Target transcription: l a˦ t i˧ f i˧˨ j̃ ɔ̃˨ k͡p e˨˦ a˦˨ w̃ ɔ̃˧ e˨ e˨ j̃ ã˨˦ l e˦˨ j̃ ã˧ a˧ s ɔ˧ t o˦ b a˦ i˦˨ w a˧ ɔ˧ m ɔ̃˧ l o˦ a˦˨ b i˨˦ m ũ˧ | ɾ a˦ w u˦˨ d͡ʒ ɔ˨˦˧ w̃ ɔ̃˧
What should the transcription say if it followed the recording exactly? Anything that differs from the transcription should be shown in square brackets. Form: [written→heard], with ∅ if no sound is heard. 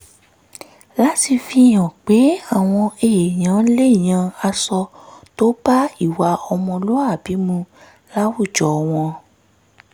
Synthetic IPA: l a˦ t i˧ f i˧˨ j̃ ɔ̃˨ k͡p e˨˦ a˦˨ w̃ ɔ̃˧ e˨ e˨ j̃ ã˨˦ l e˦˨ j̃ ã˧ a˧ s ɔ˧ t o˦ b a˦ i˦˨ w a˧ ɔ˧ m ɔ̃˧ l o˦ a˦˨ b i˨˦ m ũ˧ | [ɾ→l] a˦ w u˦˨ d͡ʒ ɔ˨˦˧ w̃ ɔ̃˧